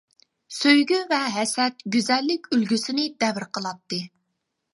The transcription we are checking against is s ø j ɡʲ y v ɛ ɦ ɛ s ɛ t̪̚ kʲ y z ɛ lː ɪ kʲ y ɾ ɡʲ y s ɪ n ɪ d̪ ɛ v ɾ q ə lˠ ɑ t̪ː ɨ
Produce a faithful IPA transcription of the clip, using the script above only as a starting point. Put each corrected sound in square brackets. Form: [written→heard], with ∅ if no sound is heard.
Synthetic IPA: s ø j ɡʲ y v ɛ ɦ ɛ s ɛ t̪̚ [kʲ→ɡʲ] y z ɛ lː ɪ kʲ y [ɾ→l] ɡʲ y s ɪ n ɪ d̪ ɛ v ɾ q ə lˠ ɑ t̪ː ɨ